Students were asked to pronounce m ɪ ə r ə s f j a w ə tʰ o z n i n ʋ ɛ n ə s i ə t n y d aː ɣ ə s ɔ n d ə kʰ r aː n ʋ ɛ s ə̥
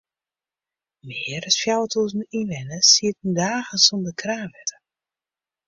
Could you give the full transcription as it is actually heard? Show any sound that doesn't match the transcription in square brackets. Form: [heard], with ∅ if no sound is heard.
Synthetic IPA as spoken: m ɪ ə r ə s f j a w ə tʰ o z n i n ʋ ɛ n ə s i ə t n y d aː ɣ ə s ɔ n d ə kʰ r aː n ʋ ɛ [t] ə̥